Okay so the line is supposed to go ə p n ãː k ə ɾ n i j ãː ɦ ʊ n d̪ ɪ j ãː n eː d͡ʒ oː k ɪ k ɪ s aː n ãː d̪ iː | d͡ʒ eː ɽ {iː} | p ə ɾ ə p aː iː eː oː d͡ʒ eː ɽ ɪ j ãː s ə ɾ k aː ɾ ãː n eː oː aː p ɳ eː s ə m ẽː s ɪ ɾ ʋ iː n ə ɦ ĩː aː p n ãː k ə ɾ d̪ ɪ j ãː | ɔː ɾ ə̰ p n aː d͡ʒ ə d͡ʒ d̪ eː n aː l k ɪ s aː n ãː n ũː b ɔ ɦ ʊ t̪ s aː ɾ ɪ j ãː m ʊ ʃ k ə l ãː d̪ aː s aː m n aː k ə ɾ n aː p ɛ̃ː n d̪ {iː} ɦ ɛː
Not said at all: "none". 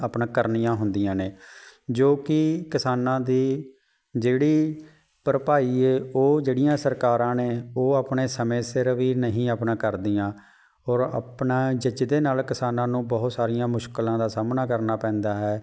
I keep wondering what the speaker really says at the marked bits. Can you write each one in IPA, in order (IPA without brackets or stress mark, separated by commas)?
iː, aː